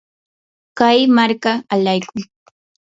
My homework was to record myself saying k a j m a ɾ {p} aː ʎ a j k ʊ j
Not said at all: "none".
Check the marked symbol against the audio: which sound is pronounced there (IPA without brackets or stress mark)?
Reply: k